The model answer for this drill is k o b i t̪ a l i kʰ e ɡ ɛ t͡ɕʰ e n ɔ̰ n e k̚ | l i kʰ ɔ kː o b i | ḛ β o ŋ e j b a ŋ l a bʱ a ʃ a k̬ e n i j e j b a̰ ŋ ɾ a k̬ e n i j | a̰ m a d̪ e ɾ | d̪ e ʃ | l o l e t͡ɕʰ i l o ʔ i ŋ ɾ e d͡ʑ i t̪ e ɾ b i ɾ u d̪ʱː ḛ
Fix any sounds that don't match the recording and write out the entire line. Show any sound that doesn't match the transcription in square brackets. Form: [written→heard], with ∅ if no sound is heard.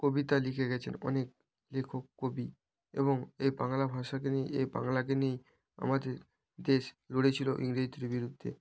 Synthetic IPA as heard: k o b i t̪ a l i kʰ e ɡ ɛ t͡ɕʰ e n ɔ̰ n e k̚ | l [i→e] kʰ [ɔ→o] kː o b i | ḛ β o ŋ e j b a ŋ l a bʱ a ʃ a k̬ e n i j e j b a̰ ŋ [ɾ→l] a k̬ e n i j | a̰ m a d̪ e ɾ | d̪ e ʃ | l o [l→ɽ] e t͡ɕʰ i l o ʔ i ŋ ɾ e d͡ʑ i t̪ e ɾ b i ɾ u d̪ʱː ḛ

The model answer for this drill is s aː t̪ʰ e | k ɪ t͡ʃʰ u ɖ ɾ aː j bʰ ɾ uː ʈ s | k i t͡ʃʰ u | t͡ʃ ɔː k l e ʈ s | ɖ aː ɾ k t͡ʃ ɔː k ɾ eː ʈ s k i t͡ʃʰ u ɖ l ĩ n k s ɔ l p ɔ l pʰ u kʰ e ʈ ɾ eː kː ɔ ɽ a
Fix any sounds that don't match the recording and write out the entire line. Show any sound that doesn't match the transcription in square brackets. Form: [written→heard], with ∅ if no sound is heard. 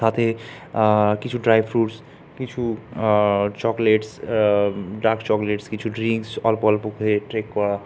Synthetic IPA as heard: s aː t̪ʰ e | k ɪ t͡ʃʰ u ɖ ɾ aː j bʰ ɾ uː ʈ s | k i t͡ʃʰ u | t͡ʃ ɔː k l e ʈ s | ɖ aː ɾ k t͡ʃ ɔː k [ɾ→l] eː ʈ s k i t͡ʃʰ u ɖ [l→ɾ] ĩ [n→ŋ] k s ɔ l p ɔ l [pʰ→p] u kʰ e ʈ ɾ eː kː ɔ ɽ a

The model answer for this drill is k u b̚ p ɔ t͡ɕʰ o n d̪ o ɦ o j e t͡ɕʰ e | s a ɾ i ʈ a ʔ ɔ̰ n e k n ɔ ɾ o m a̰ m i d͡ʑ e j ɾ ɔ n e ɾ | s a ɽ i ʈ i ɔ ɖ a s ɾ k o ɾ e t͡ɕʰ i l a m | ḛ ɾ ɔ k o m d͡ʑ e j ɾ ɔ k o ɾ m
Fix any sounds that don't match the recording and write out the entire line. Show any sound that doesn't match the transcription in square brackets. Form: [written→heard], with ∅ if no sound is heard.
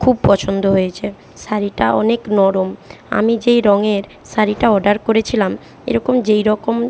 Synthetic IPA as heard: [k→kʰ] u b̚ p ɔ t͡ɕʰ o n d̪ o ɦ o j e t͡ɕʰ e | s a ɾ i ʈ a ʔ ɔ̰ n e k n ɔ ɾ o m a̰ m i d͡ʑ e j ɾ ɔ [n→ŋ] e ɾ | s a [ɽ→ɾ] i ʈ [i→a] ɔ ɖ a [s→∅] ɾ k o ɾ e t͡ɕʰ i l a m | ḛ ɾ ɔ k o m d͡ʑ e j ɾ ɔ k o [ɾ→∅] m

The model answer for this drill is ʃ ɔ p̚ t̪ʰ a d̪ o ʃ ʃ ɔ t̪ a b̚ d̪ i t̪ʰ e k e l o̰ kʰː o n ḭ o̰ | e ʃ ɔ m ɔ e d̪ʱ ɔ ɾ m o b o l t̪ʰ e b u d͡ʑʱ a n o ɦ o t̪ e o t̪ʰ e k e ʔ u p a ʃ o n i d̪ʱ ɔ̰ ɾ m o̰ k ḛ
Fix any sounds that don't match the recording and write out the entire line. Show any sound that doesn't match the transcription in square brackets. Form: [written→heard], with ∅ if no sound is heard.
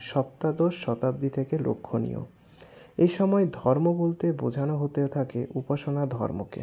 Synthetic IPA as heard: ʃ ɔ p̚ [t̪ʰ→t̪] a d̪ o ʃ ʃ ɔ t̪ a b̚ d̪ i t̪ʰ e k e l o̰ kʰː o n ḭ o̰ | e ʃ ɔ m ɔ e d̪ʱ ɔ ɾ m o b o l [t̪ʰ→t̪] e b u d͡ʑʱ a n o ɦ o t̪ e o t̪ʰ [e→a] k e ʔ u p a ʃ o n [i→a] d̪ʱ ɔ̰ ɾ m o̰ k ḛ

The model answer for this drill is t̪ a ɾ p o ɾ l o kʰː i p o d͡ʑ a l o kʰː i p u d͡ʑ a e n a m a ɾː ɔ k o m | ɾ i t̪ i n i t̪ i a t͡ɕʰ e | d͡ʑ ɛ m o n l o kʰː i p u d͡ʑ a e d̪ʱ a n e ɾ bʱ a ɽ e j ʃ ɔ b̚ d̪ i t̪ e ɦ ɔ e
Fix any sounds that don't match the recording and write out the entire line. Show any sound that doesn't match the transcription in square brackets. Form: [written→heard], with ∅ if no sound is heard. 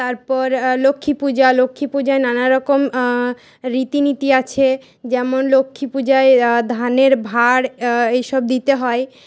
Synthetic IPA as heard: t̪ a ɾ p [o→ɔ] ɾ l o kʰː i p [o→u] d͡ʑ a l o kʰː i p u d͡ʑ a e n a [m→n] a [ɾː→ɾ] ɔ k o m | ɾ i t̪ i n i t̪ i a t͡ɕʰ e | d͡ʑ ɛ m o n l o kʰː i p u d͡ʑ a e d̪ʱ a n e ɾ bʱ a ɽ e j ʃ ɔ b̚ d̪ i t̪ e ɦ ɔ e

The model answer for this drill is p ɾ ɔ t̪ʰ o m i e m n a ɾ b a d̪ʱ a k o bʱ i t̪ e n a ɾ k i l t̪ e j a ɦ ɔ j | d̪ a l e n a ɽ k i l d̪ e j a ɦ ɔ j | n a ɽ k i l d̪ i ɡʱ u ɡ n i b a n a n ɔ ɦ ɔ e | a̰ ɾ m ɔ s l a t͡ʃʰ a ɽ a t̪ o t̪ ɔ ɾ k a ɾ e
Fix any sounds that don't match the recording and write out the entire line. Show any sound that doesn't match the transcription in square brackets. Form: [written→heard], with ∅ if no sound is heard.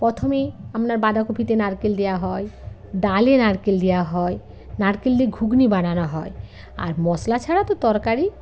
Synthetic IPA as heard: p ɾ ɔ t̪ʰ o m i [e→a] m n a ɾ b a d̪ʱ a k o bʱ i t̪ e n a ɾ k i l [t̪→d̪] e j a ɦ ɔ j | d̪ a l e n a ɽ k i l d̪ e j a ɦ ɔ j | n a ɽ k i l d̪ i ɡʱ u ɡ n i b a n a n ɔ ɦ ɔ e | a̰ ɾ m ɔ s l a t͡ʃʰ a ɽ a t̪ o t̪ ɔ ɾ k a ɾ [e→i]

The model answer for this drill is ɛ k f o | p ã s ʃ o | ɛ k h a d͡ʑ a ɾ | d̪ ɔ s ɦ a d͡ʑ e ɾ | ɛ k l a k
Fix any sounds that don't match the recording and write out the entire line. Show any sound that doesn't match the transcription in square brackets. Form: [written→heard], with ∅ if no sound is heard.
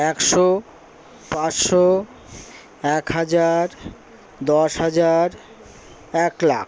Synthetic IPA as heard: ɛ k [f→ʃ] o | p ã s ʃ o | ɛ k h a d͡ʑ a ɾ | d̪ ɔ [s→ʃ] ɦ a d͡ʑ [e→a] ɾ | ɛ k l a k

